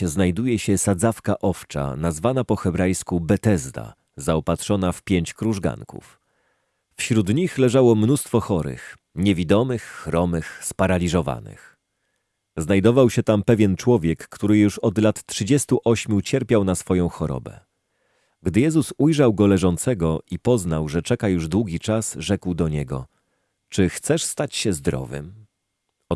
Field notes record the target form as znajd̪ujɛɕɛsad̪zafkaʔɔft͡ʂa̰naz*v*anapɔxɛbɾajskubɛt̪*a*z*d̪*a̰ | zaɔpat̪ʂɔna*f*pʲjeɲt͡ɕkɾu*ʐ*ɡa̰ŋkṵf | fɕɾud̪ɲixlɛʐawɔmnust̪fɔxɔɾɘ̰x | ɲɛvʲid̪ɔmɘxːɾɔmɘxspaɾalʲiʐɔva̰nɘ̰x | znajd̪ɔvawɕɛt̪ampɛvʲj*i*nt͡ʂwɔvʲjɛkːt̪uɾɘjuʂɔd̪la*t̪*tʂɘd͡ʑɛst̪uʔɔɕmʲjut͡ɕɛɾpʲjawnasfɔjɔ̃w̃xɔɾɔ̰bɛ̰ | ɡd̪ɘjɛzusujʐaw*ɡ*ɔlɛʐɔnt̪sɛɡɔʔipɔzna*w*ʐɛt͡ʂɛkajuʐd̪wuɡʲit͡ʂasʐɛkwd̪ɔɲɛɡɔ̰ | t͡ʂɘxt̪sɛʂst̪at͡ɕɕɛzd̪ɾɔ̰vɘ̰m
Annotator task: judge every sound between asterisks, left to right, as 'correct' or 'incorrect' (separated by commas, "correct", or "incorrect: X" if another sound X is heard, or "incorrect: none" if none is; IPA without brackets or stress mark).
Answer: correct, incorrect: ɛ, correct, correct, correct, incorrect: ɛ, correct, correct, correct